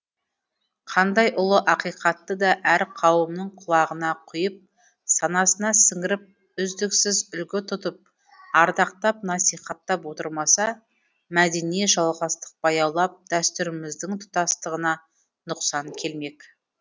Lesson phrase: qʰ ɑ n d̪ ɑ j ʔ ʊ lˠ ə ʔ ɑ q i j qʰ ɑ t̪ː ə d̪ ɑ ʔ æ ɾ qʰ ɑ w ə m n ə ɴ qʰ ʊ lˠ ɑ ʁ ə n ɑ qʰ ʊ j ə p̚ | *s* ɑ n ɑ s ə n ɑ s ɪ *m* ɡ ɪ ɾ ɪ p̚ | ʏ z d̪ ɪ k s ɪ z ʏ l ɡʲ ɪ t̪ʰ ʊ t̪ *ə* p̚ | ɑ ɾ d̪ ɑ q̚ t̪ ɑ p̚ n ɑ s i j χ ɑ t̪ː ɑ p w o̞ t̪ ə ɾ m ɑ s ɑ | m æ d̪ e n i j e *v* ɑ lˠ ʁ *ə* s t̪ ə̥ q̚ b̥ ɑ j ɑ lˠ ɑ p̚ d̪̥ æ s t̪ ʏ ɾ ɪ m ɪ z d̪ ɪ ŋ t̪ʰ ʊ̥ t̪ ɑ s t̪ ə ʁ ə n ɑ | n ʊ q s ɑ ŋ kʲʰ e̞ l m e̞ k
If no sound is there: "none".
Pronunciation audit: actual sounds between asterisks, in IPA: s, ŋ, ə, ʒ, ɑ

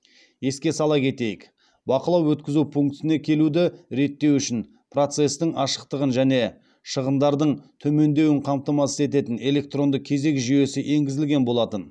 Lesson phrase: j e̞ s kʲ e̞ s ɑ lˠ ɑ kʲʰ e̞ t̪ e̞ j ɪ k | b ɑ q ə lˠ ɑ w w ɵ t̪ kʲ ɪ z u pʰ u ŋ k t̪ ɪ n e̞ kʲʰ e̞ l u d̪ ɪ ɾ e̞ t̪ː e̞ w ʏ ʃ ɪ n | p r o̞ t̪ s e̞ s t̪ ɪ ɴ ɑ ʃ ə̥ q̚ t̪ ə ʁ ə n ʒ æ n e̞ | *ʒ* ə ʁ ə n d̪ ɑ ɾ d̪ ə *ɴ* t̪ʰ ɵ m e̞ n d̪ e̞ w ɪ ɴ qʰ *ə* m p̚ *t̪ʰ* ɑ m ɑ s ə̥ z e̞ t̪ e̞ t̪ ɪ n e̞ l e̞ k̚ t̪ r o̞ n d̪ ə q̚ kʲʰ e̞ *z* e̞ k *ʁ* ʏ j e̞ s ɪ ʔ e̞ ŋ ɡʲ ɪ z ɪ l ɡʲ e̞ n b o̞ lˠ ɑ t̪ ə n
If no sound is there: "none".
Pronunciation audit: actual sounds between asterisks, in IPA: ʃ, ɴ, ɑ, t̪, z, ʒ

